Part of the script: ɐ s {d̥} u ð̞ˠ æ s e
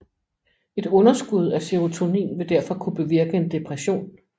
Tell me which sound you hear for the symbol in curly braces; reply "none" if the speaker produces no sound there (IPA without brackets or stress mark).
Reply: ɡ̥